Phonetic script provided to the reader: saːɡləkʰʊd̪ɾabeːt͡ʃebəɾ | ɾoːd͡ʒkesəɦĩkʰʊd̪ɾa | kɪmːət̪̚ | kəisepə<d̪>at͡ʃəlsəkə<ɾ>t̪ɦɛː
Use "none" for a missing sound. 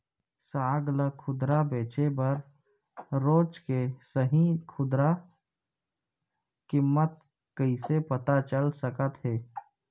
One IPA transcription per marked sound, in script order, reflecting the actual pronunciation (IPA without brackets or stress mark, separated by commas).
t̪, none